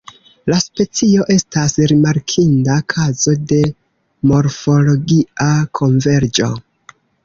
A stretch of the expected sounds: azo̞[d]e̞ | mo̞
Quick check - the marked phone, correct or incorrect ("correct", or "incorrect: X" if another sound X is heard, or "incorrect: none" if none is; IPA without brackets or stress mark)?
correct